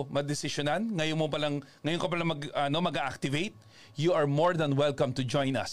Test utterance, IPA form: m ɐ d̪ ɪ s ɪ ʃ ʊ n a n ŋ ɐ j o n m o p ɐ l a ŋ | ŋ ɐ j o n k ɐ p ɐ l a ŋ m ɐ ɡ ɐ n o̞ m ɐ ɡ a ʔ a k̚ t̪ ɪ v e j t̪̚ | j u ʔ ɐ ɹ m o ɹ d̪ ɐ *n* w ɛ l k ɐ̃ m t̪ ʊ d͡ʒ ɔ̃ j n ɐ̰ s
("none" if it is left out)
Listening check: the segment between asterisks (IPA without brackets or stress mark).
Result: n